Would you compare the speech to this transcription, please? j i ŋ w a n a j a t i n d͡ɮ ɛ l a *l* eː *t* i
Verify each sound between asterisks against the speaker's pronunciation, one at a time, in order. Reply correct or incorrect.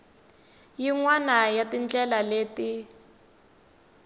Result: correct, correct

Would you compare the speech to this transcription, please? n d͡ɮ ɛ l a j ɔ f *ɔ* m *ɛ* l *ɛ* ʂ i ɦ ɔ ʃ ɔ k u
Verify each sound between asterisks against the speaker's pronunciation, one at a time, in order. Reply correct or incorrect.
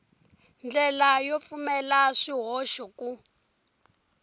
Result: incorrect, correct, incorrect

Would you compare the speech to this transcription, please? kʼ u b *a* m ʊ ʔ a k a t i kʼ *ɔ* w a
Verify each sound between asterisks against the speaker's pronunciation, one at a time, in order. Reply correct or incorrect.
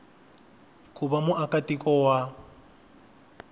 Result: correct, correct

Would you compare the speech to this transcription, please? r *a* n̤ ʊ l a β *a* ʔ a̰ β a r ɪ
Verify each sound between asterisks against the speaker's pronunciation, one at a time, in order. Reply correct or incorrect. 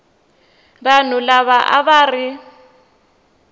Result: correct, correct

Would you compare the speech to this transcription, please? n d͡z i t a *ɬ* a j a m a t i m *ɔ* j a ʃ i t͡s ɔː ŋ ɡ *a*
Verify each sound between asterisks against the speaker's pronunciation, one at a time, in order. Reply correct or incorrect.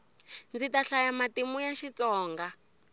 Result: correct, incorrect, correct

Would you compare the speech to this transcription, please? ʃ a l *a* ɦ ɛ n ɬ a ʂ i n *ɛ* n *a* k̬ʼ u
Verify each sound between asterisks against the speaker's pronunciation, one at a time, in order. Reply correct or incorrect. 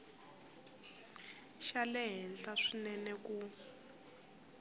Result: incorrect, correct, incorrect

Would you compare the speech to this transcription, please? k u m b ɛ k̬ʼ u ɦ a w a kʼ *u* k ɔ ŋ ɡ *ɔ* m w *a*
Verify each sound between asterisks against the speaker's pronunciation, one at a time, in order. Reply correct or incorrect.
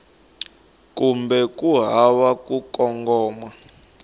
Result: correct, incorrect, correct

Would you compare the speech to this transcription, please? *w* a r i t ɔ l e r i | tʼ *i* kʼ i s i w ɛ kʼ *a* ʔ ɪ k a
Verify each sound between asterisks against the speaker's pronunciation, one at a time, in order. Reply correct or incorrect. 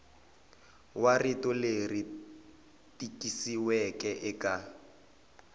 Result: correct, correct, incorrect

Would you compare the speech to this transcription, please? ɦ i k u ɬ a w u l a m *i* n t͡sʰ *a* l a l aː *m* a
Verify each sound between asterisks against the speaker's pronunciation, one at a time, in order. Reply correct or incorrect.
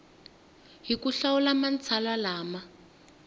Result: incorrect, correct, correct

